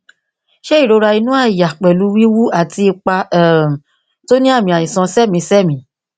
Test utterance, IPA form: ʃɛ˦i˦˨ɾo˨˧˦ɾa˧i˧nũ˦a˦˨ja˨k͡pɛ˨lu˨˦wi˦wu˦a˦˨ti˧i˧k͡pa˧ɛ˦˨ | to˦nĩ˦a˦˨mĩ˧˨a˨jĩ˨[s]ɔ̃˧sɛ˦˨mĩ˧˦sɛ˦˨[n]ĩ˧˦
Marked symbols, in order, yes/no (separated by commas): yes, no